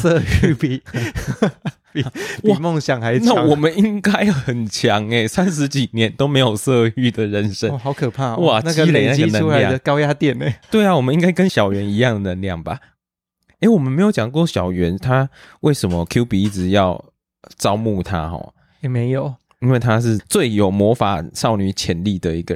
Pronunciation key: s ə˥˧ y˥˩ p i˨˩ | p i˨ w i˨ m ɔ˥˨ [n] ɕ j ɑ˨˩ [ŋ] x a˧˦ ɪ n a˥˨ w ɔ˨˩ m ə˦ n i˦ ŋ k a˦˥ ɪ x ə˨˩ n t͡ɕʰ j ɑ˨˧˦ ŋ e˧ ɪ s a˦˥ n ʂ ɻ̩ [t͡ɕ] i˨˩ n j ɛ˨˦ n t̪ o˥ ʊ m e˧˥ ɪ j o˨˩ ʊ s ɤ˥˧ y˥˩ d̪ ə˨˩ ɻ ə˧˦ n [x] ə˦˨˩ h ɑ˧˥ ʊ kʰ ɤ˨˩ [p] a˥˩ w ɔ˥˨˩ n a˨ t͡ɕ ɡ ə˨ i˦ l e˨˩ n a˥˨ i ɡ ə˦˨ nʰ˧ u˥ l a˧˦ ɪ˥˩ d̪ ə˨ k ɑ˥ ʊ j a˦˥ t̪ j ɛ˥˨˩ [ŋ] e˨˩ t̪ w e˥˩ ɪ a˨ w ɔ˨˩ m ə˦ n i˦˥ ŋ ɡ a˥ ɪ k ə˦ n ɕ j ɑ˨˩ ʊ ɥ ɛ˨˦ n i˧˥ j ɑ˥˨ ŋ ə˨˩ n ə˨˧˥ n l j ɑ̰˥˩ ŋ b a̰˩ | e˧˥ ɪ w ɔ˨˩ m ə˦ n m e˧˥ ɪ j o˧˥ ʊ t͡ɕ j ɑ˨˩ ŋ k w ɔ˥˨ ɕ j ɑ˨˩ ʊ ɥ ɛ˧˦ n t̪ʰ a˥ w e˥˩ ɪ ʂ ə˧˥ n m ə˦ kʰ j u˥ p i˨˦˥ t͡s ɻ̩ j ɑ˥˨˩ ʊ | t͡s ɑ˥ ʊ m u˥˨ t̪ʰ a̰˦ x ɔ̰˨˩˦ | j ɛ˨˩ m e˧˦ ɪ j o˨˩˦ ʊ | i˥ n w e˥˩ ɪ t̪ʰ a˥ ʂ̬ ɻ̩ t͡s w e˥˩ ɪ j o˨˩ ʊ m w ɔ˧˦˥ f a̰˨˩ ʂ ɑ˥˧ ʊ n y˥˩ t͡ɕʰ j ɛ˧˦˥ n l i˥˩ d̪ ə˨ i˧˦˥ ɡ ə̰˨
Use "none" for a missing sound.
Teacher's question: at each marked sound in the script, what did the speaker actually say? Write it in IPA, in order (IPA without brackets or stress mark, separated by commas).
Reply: ŋ, ŋ, t͡ɕ, ʂ, pʰ, n